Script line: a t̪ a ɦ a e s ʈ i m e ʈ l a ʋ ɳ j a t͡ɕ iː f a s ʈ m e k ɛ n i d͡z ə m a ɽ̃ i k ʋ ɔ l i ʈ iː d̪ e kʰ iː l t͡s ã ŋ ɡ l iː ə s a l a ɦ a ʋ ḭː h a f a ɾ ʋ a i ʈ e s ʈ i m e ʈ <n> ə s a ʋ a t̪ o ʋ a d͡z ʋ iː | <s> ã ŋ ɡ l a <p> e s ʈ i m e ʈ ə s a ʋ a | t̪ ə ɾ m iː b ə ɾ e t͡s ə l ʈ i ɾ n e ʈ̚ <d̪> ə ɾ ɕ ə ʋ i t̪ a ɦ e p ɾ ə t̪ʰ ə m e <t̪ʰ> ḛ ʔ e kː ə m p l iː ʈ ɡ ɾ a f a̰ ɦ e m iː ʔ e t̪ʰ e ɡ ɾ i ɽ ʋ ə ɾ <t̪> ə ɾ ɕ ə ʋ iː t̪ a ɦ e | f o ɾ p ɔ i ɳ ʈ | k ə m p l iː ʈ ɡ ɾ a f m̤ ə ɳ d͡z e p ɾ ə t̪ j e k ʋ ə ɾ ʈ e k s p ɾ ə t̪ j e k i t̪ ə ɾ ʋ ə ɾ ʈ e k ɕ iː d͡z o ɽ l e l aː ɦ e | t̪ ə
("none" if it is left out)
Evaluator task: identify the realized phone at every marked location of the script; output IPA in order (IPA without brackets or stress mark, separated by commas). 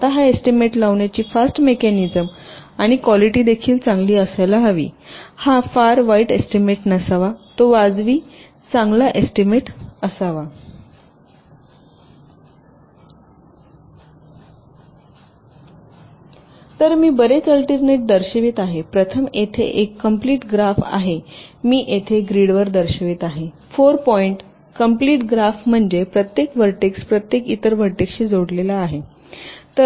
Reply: n, t͡s, ʔ, d̪, t̪ʰ, d̪